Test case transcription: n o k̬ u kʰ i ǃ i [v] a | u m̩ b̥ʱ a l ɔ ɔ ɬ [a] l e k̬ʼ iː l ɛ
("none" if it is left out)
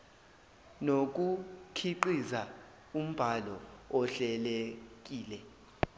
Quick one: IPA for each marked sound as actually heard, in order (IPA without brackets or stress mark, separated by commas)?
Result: z, ɛ